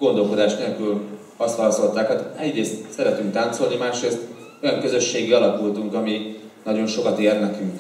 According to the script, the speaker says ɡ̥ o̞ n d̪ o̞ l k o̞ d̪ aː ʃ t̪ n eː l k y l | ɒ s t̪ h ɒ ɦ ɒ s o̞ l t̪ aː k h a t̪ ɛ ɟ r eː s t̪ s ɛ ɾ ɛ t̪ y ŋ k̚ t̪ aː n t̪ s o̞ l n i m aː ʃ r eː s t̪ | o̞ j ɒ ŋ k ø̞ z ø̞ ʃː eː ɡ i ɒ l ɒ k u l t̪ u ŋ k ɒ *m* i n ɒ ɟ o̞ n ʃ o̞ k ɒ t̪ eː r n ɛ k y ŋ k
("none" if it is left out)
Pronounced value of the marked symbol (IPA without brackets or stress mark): m